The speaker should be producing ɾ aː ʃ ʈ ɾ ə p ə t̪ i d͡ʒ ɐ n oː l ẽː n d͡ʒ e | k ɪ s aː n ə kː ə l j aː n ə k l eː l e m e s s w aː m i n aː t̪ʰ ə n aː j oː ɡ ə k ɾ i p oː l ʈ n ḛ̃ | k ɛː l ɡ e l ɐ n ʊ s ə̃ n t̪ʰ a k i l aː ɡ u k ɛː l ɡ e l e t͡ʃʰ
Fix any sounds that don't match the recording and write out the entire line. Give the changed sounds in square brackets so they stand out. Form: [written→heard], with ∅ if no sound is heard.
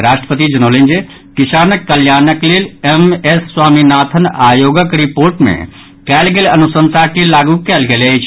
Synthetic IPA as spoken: ɾ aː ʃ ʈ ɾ ə p ə t̪ i d͡ʒ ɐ n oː l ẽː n d͡ʒ e | k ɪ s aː n ə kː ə l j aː n ə k l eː l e m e s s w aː m i n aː t̪ʰ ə n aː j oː ɡ ə k ɾ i p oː [l→ɾ] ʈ [n→m] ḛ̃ | k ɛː l ɡ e l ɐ n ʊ s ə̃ n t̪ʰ a k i l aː ɡ u k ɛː l ɡ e l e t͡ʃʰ